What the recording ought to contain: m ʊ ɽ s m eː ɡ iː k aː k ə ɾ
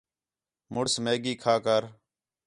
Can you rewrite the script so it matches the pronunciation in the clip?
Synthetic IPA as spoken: m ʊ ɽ s m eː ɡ iː kʰ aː k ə ɾ